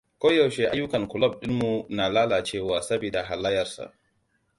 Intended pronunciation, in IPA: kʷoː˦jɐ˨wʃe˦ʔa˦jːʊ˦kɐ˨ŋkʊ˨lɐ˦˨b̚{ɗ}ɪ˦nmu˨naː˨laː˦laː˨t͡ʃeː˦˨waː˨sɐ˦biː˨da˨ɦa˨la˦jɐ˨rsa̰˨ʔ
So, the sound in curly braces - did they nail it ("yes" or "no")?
yes